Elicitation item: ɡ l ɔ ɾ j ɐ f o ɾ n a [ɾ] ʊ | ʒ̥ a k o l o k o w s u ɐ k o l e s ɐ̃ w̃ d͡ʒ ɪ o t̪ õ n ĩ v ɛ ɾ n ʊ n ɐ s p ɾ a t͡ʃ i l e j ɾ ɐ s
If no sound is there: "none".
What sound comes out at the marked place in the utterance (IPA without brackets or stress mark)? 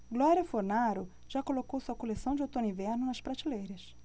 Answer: ɾ